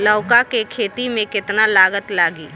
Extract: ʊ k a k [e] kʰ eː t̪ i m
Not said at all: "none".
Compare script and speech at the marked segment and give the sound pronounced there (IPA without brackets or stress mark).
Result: e